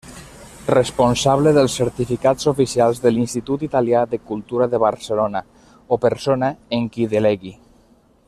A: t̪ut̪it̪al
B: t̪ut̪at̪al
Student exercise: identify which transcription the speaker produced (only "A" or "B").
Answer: A